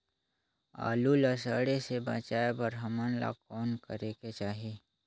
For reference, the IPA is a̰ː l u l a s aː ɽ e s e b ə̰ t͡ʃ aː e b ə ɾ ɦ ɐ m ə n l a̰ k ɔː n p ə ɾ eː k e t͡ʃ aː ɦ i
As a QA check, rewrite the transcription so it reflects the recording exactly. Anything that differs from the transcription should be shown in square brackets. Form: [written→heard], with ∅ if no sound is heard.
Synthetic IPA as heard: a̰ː l u l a s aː ɽ e s e b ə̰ t͡ʃ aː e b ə ɾ ɦ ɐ m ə n l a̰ k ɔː n [p→k] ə ɾ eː k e t͡ʃ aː ɦ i